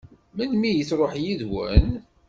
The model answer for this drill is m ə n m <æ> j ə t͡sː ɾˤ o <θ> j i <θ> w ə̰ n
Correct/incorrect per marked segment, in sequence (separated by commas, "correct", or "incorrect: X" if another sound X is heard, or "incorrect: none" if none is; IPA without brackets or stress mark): incorrect: i, incorrect: ħ, incorrect: ð